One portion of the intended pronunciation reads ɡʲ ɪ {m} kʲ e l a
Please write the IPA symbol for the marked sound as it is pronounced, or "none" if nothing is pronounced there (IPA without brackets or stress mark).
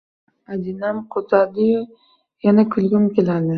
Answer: m